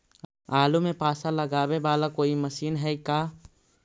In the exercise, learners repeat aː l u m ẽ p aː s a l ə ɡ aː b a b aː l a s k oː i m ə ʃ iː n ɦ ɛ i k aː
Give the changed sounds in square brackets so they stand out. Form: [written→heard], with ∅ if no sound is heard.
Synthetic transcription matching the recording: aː l u m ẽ p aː s a l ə ɡ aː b [a→e] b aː l a [s→∅] k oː i m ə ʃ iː n ɦ ɛ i k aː